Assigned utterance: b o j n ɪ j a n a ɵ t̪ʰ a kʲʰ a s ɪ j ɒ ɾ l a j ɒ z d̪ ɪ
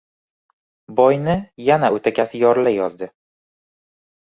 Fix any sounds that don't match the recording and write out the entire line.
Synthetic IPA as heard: b ɒ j n ɪ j a n a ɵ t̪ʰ a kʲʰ a s ɪ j ɒ ɾ l a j ɒ z d̪ ɪ